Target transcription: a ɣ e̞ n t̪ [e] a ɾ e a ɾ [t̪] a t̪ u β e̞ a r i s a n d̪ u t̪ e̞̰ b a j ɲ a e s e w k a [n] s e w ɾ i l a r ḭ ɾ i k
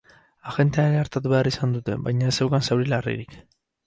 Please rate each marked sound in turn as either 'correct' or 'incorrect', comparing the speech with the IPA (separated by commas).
correct, correct, correct